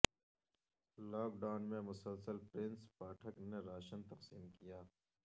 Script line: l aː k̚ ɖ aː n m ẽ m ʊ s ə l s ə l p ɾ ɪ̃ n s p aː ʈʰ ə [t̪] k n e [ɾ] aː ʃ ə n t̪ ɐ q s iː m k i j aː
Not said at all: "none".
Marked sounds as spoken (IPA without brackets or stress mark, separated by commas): none, ɾ